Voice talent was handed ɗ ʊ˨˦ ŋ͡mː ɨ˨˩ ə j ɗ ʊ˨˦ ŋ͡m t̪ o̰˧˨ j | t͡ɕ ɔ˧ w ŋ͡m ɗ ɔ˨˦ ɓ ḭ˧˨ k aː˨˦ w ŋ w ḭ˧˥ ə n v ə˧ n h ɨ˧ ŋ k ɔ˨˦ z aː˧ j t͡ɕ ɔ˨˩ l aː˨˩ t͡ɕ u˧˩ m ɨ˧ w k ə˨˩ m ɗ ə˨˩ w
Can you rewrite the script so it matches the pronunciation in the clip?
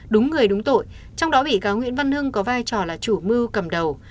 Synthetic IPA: ɗ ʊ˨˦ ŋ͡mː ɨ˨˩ ə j ɗ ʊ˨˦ ŋ͡m t̪ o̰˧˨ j | t͡ɕ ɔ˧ w ŋ͡m ɗ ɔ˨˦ ɓ ḭ˧˨ k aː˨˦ w ŋ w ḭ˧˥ ə n v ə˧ n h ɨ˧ ŋ k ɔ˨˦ v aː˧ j t͡ɕ ɔ˨˩ l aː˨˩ t͡ɕ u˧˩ m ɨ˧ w k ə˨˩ m ɗ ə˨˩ w